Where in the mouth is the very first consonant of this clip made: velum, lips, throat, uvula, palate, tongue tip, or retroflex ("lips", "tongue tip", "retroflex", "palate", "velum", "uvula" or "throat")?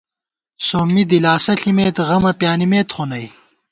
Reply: tongue tip